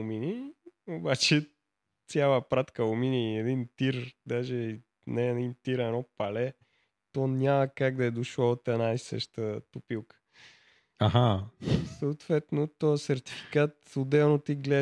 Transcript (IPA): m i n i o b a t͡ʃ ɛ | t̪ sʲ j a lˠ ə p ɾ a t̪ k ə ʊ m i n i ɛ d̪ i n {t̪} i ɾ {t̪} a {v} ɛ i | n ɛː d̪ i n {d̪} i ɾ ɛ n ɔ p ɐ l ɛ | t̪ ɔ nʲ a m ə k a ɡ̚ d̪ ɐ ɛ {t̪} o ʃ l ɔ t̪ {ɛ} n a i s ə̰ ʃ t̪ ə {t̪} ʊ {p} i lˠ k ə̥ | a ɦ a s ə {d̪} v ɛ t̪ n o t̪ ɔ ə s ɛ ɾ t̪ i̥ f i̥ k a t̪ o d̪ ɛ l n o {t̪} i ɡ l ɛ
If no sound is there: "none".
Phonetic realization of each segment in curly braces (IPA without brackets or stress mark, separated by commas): t̪, d̪, ʒ, t̪, d̪, ɛ, t̪, p, t̪, t̪